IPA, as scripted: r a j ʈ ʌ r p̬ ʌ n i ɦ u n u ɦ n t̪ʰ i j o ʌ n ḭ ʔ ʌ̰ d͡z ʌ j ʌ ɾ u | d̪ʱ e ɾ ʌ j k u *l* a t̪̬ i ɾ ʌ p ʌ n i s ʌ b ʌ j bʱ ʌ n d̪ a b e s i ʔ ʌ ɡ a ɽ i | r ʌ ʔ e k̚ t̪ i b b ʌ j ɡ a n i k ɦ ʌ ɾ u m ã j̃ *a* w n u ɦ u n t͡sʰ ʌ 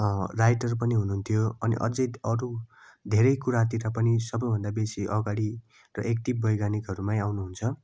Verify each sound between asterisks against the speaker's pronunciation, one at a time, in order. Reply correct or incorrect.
incorrect, correct

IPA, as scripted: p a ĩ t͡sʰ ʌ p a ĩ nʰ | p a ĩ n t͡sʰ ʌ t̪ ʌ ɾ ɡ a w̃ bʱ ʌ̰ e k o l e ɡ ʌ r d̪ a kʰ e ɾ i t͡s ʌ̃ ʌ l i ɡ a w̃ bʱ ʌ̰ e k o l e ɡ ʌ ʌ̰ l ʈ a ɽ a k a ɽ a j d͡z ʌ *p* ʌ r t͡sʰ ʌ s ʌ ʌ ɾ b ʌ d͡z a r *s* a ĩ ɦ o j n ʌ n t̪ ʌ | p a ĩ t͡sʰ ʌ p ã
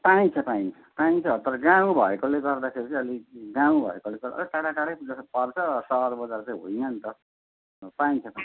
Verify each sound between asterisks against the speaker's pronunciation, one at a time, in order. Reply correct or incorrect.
correct, incorrect

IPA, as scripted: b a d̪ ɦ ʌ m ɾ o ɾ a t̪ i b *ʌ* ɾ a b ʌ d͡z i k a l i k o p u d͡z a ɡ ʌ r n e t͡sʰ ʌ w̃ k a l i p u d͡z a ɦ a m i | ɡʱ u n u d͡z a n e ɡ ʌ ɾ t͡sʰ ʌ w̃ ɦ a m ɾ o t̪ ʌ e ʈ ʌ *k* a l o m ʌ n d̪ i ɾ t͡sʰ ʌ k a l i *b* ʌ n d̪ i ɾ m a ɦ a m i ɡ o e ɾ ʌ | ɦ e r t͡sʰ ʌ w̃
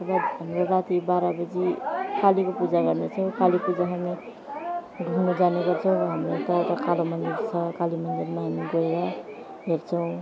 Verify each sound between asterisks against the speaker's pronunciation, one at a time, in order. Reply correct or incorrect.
incorrect, correct, incorrect

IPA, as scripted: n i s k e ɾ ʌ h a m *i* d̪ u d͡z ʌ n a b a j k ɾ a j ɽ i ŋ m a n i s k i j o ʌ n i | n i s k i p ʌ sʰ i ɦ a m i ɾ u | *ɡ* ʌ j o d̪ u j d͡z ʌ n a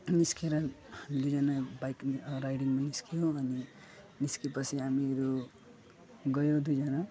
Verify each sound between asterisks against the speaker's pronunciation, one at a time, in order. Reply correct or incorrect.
correct, correct

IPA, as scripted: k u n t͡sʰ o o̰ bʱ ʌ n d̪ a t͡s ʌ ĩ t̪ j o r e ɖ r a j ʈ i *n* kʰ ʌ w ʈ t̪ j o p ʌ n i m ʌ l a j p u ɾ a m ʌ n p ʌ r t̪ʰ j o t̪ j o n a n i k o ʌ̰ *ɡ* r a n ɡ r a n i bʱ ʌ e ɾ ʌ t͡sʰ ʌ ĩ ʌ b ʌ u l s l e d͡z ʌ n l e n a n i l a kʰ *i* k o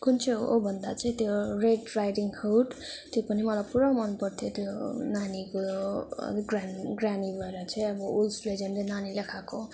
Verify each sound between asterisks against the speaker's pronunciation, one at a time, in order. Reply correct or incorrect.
incorrect, correct, incorrect

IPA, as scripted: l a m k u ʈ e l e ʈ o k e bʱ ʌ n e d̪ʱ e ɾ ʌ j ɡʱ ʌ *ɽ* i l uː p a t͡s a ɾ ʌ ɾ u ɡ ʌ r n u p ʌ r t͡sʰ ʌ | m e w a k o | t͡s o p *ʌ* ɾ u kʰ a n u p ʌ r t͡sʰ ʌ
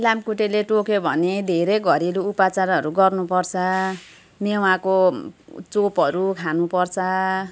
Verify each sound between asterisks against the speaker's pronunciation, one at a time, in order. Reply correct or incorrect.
incorrect, correct

